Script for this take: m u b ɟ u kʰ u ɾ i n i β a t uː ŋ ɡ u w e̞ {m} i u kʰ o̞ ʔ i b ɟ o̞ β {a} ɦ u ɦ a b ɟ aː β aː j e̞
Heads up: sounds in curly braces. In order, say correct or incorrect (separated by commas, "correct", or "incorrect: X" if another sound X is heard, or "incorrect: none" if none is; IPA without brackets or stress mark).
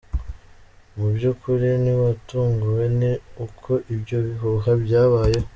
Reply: incorrect: n, incorrect: i